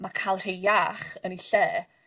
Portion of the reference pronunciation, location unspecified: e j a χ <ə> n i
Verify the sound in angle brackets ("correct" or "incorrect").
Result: correct